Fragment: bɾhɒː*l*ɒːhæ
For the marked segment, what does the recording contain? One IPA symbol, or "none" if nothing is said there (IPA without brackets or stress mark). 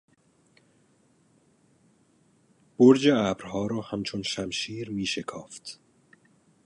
ɾ